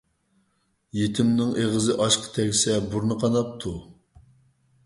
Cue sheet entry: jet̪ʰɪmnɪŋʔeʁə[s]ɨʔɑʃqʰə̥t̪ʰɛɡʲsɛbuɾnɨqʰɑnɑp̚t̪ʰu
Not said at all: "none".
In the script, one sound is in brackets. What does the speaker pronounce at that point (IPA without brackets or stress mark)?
z